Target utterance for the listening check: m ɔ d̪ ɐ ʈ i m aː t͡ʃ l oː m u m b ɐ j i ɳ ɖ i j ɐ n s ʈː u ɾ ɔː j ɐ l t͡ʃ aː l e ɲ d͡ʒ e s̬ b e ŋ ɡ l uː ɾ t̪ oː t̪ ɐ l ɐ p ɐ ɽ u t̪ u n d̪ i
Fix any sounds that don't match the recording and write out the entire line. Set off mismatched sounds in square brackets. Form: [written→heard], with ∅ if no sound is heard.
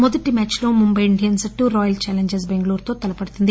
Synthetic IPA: m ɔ d̪ ɐ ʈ i m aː t͡ʃ l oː m u m b ɐ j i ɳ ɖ i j ɐ n s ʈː u ɾ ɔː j ɐ l t͡ʃ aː l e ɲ d͡ʒ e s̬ b e ŋ ɡ l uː ɾ t̪ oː t̪ ɐ l ɐ p ɐ ɽ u t̪ u n d̪ i